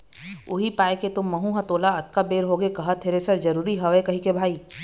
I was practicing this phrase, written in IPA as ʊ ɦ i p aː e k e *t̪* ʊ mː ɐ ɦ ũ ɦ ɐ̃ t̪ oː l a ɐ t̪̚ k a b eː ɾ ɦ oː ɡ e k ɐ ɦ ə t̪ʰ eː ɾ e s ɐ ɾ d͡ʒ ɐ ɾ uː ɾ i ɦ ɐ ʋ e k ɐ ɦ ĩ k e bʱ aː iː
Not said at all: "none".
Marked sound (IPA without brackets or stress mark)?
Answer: t̪